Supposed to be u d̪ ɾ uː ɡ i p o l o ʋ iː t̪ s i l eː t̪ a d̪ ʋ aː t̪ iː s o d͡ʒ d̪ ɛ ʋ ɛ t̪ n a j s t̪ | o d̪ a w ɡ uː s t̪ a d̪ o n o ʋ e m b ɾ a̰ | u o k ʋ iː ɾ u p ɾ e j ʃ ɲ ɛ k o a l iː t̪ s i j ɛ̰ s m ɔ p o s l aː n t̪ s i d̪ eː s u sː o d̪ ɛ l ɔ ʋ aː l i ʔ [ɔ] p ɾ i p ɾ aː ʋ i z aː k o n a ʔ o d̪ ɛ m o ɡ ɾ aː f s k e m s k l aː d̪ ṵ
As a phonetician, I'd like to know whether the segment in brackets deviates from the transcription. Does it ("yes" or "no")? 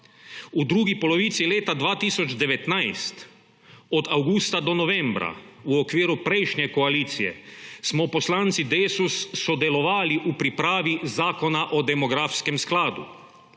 yes